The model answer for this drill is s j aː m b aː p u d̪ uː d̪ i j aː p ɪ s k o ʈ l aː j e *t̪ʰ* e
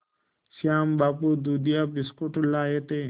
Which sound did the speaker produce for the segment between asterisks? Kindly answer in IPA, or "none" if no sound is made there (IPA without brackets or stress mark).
t̪